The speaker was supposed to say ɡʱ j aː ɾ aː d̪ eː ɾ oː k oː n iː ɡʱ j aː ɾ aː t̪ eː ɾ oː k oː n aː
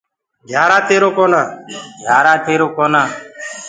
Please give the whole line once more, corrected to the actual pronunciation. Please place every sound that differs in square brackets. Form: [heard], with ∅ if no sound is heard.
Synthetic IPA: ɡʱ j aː ɾ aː [t̪] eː ɾ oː k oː n [aː] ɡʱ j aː ɾ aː t̪ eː ɾ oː k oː n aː